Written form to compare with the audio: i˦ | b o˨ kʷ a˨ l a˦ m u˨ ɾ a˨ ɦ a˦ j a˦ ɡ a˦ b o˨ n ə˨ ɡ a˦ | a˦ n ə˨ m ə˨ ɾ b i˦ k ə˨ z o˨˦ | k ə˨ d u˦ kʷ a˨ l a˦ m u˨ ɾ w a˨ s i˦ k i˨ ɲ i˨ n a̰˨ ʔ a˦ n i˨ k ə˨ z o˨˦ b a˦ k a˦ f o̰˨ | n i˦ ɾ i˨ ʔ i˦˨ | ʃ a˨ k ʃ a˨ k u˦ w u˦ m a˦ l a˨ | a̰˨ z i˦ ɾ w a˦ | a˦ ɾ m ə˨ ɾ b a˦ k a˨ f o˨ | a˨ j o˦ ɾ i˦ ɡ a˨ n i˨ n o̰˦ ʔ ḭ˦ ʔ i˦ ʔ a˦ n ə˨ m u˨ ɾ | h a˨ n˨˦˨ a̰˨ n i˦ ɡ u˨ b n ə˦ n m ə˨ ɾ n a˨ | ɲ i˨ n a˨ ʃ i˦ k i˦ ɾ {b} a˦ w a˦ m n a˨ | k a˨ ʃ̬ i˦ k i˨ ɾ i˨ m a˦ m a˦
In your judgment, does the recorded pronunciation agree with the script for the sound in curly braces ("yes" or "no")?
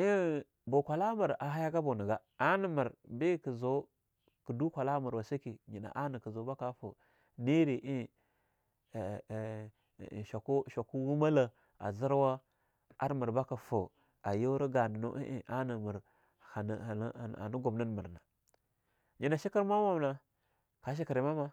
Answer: no